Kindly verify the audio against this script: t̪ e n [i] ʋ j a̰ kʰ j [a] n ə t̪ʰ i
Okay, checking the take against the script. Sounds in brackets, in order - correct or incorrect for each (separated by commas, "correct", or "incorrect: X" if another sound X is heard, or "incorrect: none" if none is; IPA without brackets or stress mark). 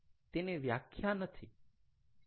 incorrect: e, correct